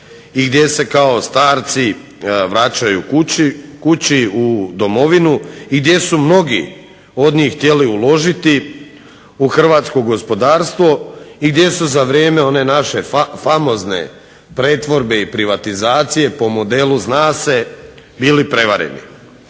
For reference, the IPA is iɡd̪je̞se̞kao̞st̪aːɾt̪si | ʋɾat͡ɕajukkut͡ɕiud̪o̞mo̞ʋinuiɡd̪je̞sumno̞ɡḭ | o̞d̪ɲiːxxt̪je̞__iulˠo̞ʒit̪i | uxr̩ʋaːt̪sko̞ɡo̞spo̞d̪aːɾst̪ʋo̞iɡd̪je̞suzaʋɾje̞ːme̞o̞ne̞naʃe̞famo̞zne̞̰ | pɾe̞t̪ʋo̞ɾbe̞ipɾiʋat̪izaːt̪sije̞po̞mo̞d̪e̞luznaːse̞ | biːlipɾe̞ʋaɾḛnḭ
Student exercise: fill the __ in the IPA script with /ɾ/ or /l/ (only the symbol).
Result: l